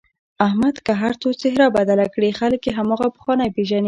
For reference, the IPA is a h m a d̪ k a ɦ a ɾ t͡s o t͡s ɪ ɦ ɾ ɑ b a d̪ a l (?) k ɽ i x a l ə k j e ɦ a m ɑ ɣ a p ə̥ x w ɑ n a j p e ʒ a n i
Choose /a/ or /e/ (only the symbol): a